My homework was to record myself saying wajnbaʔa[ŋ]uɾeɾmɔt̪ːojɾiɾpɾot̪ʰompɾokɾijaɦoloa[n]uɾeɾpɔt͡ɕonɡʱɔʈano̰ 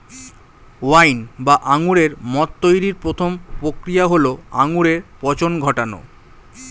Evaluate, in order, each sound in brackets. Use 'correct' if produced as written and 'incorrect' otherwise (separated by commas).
correct, incorrect